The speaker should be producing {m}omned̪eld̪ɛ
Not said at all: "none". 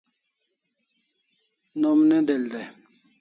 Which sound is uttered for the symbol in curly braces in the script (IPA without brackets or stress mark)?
n